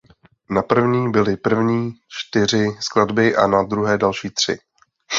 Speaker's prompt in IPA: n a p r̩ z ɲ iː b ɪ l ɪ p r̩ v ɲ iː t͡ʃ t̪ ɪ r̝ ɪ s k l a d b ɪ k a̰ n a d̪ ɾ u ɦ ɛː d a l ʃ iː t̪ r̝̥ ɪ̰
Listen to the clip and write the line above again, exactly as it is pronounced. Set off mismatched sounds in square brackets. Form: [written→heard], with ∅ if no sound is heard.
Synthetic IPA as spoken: n a p r̩ [z→v] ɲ iː b ɪ l ɪ p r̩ v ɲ iː t͡ʃ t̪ ɪ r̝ ɪ s k l a d b ɪ [k→ʔ] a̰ n a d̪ ɾ u ɦ ɛː d a l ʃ iː t̪ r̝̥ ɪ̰